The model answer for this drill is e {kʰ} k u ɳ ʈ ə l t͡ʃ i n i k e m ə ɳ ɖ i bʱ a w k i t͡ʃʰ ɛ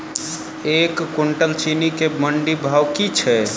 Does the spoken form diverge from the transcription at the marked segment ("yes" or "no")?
yes